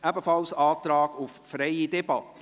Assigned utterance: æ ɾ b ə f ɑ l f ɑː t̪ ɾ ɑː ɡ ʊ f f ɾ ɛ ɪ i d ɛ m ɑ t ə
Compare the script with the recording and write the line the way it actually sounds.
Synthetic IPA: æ b ə f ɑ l s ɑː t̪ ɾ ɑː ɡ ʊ f f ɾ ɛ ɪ i d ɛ b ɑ t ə

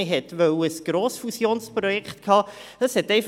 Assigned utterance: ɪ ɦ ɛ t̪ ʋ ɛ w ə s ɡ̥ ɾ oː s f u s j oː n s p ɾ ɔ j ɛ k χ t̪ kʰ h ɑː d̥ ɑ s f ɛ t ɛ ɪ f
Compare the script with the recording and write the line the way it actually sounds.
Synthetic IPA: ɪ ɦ ɛ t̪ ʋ œ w ə s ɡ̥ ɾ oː s f u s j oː n s p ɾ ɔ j ɛ k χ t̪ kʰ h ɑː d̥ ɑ s h ɛ t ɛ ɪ f

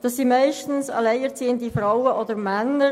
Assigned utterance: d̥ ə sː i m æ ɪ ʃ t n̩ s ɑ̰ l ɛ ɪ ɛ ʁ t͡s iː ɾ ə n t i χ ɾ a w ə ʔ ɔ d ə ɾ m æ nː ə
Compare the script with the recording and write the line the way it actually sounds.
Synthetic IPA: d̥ ɑ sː i m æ ɪ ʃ t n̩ s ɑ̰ l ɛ ɪ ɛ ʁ t͡s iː ə n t i f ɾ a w ə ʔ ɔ d ə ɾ m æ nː ə

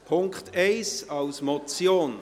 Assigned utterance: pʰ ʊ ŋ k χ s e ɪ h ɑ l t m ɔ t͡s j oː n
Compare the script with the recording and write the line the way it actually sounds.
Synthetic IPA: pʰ ʊ ŋ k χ t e ɪ s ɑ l s m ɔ t͡s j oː n

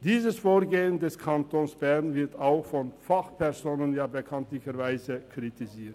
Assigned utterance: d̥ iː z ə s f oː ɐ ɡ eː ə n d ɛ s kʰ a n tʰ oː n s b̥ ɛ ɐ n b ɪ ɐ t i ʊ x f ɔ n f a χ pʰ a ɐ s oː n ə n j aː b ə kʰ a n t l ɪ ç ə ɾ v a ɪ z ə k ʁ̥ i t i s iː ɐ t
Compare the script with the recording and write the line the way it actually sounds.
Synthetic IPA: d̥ iː z ə s f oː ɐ ɡ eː ə n d ɛ s kʰ a n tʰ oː n s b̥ ɛ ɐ n v ɪ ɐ t a ʊ x f ɔ n f a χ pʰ ɛ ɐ z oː n ə n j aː b ə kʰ a n t l ɪ ç ə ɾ v a ɪ z ə k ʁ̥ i t i z iː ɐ t

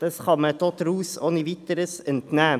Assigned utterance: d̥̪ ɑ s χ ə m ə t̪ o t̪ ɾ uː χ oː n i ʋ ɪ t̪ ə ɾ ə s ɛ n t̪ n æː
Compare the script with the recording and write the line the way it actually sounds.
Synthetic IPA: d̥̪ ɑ s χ ɑ m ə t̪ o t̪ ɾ uː s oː n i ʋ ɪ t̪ ə ɾ ə s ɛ n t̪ n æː

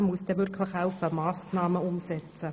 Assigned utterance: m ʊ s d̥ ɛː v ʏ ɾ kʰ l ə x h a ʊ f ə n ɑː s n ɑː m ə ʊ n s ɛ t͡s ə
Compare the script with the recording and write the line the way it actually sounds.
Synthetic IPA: m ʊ s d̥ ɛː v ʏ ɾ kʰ l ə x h a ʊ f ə m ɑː s n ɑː m ə ʊ m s ɛ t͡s ə

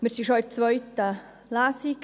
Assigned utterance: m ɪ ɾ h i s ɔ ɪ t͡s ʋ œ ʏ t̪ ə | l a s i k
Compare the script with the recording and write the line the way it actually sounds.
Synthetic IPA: m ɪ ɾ s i ʃ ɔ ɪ t͡s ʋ œ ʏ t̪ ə | l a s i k

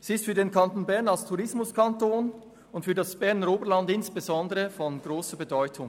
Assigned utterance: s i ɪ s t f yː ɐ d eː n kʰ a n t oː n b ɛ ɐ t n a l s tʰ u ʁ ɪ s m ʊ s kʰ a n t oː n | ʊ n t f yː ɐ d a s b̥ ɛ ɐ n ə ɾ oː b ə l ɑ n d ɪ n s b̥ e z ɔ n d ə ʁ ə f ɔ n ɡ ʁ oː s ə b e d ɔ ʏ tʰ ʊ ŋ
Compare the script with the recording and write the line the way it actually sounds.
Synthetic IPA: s i ɪ s t f yː ɐ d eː n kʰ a n t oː n b ɛ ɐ n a l s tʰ u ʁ ɪ s m ʊ s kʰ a n t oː n | ʊ n t f yː ɐ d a s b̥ ɛ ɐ n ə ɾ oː b ə l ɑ n d ɪ n s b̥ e z ɔ n d ə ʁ ə f ɔ n ɡ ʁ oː s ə b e d ɔ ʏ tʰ ʊ ŋ

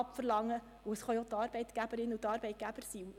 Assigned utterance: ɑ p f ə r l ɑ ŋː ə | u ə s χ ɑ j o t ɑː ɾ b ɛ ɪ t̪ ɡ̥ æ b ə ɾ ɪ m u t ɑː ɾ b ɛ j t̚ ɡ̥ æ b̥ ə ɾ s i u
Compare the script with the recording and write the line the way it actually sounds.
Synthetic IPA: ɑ p f ə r l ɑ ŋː ə | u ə s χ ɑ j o t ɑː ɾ b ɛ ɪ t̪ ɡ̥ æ b ə ɾ ɪ n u t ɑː ɾ b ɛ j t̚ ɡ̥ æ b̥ ə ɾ s i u

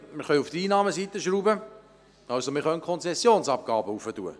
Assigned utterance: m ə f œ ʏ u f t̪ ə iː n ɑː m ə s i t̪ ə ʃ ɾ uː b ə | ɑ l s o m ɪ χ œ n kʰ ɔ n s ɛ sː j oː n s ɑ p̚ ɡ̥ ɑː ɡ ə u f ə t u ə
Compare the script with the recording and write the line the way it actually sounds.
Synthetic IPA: m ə χ œ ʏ u f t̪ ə iː n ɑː m ə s i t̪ ə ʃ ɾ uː b ə | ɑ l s o m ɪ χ œ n kʰ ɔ n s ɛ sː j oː n s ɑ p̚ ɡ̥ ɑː b ə u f ə t u ə

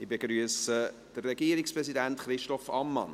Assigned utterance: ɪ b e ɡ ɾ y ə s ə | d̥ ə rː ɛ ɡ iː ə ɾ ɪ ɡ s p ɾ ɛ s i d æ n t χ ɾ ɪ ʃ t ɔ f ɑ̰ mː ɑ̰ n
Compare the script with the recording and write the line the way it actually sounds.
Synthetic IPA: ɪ b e ɡ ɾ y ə s ə | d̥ ə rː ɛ ɡ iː ə ɾ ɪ k s p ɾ ɛ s i d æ n t χ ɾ ɪ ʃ t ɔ f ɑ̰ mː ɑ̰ n

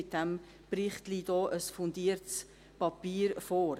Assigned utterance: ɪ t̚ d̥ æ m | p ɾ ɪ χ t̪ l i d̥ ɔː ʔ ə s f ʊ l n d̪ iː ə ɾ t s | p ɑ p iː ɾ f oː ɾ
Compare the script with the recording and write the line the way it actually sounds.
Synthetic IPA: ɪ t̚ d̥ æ m | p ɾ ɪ χ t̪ l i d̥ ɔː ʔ ə s f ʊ n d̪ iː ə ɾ t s | p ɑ p iː ɾ f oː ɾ

